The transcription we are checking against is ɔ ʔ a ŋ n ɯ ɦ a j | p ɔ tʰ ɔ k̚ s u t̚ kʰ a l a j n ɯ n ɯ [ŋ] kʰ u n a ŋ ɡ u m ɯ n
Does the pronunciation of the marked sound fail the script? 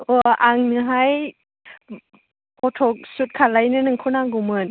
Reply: no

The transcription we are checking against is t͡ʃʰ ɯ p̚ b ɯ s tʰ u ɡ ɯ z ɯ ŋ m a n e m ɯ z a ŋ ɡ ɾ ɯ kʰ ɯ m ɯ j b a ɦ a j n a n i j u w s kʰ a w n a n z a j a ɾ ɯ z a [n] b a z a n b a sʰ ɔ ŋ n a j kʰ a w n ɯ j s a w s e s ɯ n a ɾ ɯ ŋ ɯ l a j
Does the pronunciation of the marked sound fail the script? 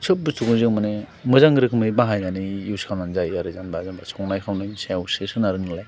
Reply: no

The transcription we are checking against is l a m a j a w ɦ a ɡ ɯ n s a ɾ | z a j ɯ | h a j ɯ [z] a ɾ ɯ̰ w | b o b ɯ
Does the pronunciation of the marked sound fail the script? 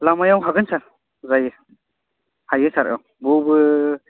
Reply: yes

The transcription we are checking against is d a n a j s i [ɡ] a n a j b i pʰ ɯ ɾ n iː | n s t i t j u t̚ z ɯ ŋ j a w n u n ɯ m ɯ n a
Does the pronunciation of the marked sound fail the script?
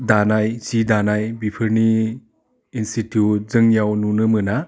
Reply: yes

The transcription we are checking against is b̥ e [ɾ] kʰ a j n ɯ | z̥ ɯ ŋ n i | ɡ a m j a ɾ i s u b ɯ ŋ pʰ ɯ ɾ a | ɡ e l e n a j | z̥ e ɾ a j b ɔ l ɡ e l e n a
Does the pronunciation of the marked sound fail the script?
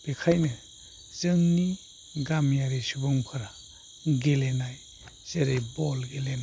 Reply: yes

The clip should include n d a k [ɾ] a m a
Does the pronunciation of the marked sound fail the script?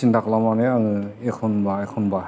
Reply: yes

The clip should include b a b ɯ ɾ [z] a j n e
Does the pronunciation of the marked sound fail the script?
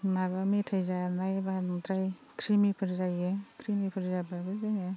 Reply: no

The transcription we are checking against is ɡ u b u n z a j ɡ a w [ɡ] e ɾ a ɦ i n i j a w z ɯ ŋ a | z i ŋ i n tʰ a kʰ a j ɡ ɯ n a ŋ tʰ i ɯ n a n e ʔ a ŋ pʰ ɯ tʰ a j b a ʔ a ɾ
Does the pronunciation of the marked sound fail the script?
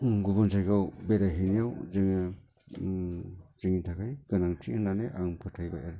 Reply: yes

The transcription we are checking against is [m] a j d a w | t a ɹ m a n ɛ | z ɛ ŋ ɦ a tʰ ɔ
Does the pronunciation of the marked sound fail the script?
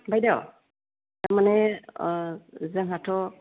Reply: yes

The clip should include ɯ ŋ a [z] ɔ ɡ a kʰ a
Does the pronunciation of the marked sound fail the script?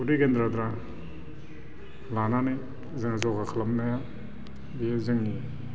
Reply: no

